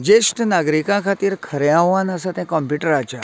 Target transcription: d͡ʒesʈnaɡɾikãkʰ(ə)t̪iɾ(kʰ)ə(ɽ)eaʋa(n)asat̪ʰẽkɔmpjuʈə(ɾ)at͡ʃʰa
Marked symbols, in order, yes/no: no, yes, no, yes, yes

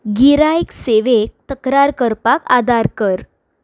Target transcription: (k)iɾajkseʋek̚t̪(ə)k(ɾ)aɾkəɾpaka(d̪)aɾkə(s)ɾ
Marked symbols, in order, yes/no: no, yes, yes, yes, no

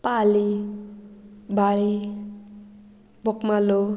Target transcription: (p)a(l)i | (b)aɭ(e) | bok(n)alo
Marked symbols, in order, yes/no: yes, yes, yes, no, no

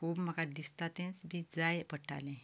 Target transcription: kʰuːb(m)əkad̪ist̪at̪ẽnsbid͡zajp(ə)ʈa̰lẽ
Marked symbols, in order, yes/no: yes, yes

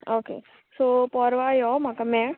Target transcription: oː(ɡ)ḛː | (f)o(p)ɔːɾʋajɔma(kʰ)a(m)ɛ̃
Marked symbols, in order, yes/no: no, no, yes, no, yes

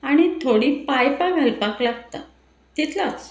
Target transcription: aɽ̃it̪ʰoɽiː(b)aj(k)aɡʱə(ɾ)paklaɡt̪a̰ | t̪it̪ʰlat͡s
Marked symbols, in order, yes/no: no, no, no

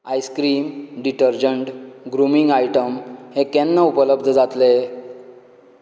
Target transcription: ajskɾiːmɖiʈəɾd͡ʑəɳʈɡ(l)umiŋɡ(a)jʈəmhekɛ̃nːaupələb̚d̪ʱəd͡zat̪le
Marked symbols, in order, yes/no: no, yes

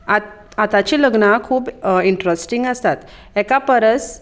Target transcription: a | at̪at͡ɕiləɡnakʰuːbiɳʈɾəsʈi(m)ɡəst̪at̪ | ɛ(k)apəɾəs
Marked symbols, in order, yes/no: no, yes

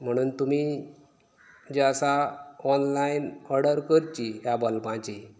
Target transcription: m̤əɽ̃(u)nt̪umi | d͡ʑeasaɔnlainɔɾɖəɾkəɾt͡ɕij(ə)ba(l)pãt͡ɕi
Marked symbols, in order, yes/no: no, no, yes

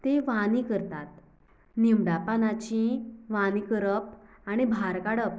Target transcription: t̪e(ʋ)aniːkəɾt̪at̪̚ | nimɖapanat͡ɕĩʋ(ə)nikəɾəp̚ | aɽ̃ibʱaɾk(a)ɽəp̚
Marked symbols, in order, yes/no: yes, no, yes

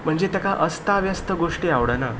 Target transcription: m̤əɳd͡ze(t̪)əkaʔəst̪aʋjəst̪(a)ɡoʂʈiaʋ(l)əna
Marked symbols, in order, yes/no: yes, no, no

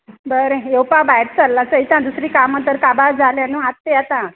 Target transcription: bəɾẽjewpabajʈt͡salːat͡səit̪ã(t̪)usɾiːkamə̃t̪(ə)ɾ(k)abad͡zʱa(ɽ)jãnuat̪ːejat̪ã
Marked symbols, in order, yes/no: no, yes, yes, no

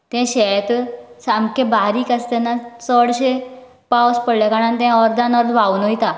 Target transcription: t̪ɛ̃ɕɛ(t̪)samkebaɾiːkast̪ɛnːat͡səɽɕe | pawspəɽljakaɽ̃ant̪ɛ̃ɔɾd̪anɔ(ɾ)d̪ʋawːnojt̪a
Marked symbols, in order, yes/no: yes, yes

